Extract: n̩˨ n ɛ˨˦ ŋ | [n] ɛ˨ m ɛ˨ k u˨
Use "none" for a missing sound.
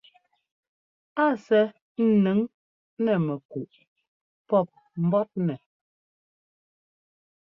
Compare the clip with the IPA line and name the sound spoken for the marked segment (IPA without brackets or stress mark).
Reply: n